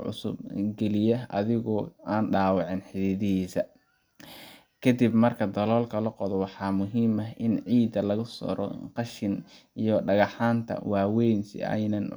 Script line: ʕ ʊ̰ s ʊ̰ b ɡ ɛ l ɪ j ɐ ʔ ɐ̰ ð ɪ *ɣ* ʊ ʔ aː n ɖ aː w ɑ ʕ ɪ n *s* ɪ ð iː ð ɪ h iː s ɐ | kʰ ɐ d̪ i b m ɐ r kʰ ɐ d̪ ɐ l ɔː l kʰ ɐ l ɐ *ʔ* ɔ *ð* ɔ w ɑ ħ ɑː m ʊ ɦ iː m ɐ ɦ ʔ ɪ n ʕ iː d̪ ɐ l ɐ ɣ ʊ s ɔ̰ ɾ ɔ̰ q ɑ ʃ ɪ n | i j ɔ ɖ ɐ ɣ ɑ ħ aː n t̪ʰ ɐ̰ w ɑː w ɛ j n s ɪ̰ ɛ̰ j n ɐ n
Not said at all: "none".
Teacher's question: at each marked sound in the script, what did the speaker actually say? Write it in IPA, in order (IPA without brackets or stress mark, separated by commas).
ɣ, ħ, q, ð